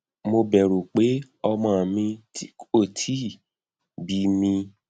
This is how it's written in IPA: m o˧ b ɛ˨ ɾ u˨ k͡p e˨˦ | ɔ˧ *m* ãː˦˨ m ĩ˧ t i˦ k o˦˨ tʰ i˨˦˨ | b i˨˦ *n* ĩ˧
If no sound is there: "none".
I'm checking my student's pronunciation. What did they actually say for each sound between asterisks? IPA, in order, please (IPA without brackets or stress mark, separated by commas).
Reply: m, m